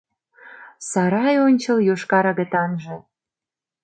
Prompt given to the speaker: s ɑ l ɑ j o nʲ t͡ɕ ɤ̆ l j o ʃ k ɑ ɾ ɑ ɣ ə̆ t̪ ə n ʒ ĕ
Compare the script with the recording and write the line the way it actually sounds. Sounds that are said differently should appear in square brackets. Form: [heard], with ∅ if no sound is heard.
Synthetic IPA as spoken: s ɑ [ɾ] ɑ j o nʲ t͡ɕ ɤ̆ l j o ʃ k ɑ ɾ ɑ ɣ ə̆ t̪ [ɑ] n ʒ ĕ